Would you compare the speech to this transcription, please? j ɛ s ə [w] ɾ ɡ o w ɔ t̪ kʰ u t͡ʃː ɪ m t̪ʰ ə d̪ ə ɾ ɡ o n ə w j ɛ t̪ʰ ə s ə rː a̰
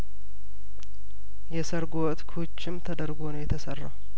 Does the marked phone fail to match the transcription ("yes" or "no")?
yes